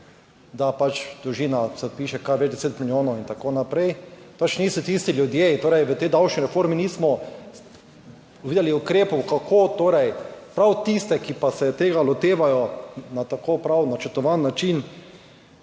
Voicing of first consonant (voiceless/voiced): voiced